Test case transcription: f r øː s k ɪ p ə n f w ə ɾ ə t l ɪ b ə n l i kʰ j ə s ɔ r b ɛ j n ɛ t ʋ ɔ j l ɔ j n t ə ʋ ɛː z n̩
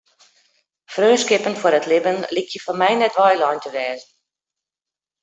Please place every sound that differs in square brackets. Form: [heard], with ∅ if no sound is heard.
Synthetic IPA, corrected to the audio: f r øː s k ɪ p ə n f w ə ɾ ə t l ɪ b ə n l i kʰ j ə [f] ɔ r [m] ɛ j n ɛ t ʋ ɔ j l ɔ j n t ə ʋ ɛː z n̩